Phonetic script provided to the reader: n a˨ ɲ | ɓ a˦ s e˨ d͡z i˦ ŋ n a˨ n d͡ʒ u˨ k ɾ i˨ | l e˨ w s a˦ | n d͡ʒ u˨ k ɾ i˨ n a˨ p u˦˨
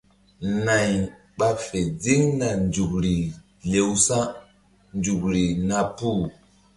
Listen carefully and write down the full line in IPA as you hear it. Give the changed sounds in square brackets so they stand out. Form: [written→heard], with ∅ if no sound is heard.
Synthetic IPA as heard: n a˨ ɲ | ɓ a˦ [s→f] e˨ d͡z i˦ ŋ n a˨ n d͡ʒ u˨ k ɾ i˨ | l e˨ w s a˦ | n d͡ʒ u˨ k ɾ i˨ n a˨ p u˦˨

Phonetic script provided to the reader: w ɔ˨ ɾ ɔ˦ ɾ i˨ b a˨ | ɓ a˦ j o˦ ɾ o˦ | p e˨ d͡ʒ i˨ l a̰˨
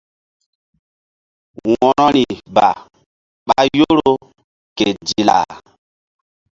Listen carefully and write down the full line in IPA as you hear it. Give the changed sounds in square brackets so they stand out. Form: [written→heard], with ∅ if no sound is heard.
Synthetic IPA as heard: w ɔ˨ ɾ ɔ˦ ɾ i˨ b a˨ | ɓ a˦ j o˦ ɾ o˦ | [p→k] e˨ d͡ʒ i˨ l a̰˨

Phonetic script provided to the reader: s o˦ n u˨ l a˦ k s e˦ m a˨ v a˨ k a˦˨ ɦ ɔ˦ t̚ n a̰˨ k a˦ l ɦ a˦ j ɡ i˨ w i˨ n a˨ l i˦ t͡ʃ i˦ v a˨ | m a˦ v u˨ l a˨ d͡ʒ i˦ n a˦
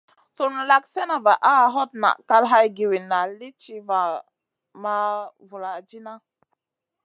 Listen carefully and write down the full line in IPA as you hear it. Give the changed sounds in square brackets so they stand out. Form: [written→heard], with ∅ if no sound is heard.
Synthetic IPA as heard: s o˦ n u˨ l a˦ k s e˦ [m→n] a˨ v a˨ [k→ʔ] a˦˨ ɦ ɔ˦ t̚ n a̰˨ k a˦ l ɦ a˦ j ɡ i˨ w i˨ n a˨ l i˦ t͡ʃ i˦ v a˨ | m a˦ v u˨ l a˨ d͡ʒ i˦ n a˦

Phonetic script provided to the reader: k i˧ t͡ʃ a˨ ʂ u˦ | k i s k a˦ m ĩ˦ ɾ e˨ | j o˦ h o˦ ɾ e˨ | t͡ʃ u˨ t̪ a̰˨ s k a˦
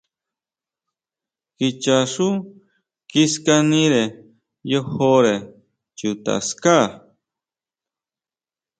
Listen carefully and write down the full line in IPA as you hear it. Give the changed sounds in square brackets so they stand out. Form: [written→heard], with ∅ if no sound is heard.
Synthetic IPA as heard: k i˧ t͡ʃ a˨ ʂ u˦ | k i s k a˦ [m→n] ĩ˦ ɾ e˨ | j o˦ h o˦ ɾ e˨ | t͡ʃ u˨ t̪ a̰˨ s k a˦

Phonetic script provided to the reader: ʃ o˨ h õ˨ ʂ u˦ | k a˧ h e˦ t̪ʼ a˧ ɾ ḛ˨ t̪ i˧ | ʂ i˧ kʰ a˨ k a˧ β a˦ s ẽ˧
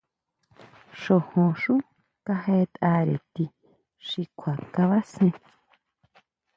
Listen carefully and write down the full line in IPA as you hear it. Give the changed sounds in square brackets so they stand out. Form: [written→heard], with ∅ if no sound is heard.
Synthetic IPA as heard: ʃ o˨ h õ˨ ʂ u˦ | k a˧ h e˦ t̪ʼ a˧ ɾ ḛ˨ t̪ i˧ | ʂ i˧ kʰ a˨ k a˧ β a˦ s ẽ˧

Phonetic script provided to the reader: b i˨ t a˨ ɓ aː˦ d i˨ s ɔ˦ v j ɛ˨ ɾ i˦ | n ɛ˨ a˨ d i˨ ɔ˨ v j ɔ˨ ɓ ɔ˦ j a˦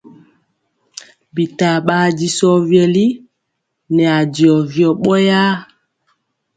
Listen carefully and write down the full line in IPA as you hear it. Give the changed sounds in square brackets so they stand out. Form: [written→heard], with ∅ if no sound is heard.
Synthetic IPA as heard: b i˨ t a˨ ɓ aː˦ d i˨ s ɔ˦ v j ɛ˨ [ɾ→l] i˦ | n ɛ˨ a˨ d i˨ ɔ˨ v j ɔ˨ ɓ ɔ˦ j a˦

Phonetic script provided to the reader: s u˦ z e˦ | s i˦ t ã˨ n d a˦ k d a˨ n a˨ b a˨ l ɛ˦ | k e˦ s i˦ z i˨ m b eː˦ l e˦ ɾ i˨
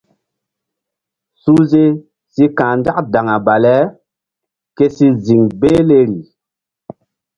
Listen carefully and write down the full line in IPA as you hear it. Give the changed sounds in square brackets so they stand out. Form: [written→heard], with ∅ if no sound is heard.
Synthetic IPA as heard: s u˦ z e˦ | s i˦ [t→k] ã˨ n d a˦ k d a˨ [n→ŋ] a˨ b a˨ l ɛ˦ | k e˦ s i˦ z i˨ [m→ŋ] b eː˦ l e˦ ɾ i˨

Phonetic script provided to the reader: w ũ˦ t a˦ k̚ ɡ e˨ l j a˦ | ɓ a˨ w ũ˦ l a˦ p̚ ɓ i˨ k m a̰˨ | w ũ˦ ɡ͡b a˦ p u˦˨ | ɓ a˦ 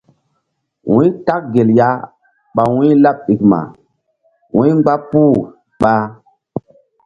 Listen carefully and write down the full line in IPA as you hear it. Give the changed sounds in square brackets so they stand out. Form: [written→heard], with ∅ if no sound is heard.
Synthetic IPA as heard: w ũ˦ t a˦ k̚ ɡ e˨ l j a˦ | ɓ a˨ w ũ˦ l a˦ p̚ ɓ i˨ k m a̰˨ | w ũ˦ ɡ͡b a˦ p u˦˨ | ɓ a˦

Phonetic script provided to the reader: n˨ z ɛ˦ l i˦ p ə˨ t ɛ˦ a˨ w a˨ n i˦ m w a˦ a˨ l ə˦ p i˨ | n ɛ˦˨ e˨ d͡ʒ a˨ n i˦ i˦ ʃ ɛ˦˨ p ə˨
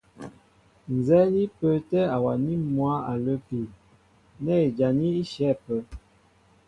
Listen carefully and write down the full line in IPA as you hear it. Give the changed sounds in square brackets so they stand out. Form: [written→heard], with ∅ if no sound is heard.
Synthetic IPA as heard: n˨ z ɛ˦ l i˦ p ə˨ t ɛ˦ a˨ w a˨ n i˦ m w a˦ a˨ l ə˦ p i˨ | n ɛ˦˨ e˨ d͡ʒ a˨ n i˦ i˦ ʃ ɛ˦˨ p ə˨

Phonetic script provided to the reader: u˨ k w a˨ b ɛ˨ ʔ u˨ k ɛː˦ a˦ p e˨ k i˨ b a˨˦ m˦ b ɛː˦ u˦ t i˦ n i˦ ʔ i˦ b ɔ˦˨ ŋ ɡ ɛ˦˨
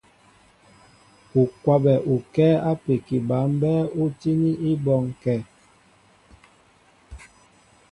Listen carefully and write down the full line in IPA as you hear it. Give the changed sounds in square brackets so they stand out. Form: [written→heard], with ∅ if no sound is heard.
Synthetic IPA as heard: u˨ k w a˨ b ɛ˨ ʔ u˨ k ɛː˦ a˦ p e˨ k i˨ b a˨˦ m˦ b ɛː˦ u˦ t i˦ n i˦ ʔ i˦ b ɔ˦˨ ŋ [ɡ→k] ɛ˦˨

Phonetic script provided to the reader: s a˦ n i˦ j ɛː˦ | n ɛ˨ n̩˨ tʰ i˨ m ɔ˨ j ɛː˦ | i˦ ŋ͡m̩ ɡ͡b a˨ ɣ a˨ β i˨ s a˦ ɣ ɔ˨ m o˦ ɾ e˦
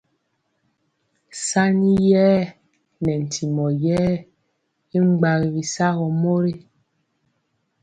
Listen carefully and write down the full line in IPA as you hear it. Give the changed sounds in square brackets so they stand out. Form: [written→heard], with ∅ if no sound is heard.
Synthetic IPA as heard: s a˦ n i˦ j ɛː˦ | n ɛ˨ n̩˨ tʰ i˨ m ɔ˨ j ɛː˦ | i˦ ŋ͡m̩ ɡ͡b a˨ ɣ [a˨→i˨] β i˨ s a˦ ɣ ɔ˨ m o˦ ɾ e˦

